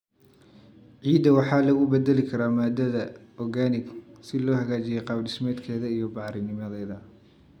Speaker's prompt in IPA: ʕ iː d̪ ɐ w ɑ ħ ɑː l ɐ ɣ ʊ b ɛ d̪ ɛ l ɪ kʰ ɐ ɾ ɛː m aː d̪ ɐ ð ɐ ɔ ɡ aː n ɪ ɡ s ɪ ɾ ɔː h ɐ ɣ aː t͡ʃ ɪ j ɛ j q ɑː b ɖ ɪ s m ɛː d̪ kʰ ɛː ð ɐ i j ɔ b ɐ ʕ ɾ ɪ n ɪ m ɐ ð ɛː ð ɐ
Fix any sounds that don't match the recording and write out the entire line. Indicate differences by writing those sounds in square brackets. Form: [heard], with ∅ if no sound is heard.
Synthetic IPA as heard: ʕ iː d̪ ɐ w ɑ ħ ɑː l ɐ ɣ ʊ b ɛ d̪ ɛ l ɪ kʰ ɐ ɾ [aː] m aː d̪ ɐ ð ɐ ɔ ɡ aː n ɪ ɡ s ɪ [l] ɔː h ɐ ɣ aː t͡ʃ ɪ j ɛ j q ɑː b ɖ ɪ s m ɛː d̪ kʰ ɛː ð ɐ i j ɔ b [ɑ] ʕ ɾ ɪ n ɪ m ɐ ð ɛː ð ɐ